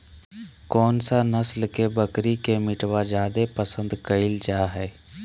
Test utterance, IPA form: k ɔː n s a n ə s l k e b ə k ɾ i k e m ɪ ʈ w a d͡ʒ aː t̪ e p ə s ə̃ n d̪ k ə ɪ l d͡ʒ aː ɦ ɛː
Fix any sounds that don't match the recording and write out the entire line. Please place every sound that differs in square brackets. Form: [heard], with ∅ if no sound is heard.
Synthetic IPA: k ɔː n s a n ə s l k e b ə k ɾ i k e m ɪ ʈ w a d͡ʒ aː [d̪] e p ə s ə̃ n d̪ k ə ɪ l d͡ʒ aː ɦ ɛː